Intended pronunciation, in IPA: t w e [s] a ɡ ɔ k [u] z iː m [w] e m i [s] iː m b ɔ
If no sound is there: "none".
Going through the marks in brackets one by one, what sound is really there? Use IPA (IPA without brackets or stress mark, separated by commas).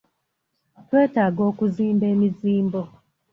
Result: t, u, b, z